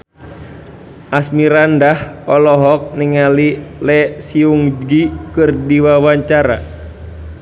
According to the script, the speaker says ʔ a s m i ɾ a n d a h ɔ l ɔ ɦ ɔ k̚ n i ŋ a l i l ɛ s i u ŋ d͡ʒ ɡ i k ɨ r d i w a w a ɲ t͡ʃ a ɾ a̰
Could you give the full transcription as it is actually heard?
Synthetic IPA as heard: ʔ a s m i ɾ a n d a h ɔ l ɔ ɦ ɔ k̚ n i ŋ a l i l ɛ s i u ŋ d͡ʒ ɡ i k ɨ r d i w a w a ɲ t͡ʃ a ɾ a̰